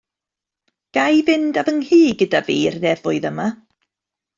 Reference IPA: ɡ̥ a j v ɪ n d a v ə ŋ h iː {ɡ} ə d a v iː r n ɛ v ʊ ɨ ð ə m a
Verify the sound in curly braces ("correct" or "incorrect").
correct